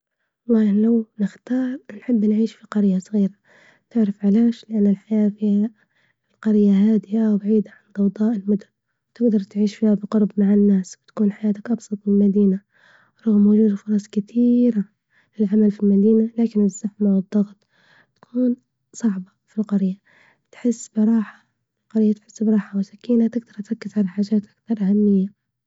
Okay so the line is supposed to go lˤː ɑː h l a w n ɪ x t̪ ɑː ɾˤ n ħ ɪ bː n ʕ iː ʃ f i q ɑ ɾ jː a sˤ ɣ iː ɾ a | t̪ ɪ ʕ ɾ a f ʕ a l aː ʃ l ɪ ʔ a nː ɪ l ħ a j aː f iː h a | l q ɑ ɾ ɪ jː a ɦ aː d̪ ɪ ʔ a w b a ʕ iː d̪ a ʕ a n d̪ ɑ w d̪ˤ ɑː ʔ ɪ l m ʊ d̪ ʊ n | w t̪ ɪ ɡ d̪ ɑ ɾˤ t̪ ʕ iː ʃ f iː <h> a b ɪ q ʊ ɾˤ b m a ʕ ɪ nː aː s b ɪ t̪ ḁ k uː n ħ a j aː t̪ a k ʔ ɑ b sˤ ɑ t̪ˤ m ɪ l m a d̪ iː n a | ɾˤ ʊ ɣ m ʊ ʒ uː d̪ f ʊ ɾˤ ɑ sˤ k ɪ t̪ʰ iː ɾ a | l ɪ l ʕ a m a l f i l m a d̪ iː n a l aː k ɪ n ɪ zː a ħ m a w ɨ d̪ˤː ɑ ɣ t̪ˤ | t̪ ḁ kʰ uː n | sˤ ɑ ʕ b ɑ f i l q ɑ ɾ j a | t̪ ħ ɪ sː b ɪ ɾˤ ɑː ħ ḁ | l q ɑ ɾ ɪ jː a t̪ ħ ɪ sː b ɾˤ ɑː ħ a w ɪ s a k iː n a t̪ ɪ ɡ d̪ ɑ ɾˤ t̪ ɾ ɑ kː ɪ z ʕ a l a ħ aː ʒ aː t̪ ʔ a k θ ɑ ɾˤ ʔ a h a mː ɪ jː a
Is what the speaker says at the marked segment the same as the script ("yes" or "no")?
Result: yes